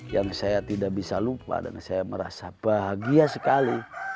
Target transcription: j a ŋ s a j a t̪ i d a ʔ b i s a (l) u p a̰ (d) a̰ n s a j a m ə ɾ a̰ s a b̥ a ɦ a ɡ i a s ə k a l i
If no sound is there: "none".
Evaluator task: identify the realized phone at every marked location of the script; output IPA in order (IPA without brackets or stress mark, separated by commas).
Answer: l, d